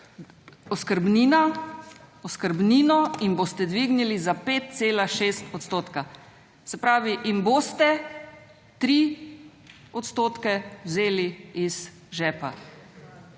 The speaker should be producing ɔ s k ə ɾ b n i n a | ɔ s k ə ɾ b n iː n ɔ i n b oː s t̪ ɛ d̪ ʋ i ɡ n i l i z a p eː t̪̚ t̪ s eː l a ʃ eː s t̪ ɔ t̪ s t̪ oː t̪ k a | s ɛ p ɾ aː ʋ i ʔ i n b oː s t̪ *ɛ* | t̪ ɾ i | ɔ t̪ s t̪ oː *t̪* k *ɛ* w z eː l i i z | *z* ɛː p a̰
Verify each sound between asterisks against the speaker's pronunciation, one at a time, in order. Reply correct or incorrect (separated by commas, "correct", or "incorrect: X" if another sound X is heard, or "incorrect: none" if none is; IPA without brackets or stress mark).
correct, correct, correct, incorrect: ʒ